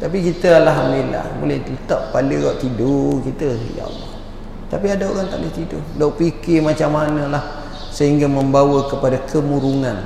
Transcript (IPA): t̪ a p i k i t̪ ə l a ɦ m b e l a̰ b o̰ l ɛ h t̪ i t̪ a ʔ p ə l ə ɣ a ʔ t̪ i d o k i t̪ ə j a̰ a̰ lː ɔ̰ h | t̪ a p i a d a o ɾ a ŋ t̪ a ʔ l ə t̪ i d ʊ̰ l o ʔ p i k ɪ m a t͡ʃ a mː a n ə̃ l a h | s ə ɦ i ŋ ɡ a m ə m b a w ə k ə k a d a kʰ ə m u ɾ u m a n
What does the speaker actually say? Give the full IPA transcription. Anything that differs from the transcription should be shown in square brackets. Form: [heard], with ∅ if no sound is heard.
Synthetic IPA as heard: t̪ a p i k i t̪ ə l a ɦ m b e l a̰ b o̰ l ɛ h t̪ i t̪ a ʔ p [a] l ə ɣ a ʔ t̪ i d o k i t̪ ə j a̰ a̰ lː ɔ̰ h | t̪ a p i a d a o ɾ a ŋ t̪ a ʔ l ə t̪ i d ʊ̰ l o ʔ p i k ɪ m a t͡ʃ a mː a n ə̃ l a h | s ə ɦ i ŋ ɡ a m ə m b a w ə k ə [p] a d a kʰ ə m u ɾ u [ŋ] a n